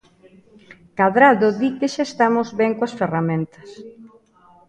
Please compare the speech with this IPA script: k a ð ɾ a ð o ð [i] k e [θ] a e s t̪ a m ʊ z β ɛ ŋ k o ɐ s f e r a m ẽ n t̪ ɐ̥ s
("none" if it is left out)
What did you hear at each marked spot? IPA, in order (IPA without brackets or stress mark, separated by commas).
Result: i, ʃ